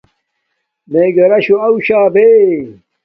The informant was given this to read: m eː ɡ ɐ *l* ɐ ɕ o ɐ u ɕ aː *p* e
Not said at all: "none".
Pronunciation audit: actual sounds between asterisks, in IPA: ɾ, b

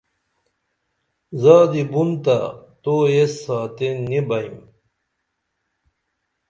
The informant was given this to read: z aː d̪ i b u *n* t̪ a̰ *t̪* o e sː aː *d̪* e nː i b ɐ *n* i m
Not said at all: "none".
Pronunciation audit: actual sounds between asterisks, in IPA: n, t̪, t̪, none

